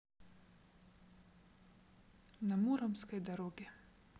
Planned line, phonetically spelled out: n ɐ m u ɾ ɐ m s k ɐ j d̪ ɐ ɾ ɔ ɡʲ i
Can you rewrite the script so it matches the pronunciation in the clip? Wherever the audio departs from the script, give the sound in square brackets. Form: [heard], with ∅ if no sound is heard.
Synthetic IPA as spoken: n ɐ m u ɾ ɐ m s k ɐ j d̪ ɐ ɾ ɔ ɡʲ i